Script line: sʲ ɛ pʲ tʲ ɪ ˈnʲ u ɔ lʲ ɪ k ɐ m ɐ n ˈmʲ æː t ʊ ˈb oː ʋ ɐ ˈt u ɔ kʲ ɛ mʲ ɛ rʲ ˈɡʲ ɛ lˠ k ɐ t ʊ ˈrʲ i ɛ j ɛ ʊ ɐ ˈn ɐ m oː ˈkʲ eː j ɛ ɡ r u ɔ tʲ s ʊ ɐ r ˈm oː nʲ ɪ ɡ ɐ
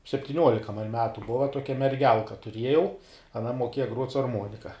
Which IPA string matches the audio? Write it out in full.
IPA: sʲ ɛ pʲ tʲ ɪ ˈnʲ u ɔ lʲ ɪ k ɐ m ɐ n ˈmʲ æː t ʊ ˈb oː ʋ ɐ ˈt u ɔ kʲ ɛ mʲ ɛ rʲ ˈɡʲ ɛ lˠ k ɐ t ʊ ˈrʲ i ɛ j ɛ ʊ ɐ ˈn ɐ m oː ˈkʲ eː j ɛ ɡ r u ɔ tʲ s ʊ ɐ r ˈm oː nʲ ɪ k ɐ